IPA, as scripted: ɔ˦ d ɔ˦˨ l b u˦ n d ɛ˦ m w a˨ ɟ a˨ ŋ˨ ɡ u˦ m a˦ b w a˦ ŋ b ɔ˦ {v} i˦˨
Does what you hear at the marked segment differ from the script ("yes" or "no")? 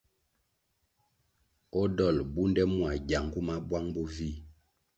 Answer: no